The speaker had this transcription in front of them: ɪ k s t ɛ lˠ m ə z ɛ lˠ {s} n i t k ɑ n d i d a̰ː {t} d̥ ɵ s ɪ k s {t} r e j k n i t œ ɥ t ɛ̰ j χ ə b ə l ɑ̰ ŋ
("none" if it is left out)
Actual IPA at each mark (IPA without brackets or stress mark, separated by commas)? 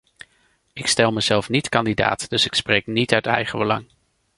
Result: f, t, p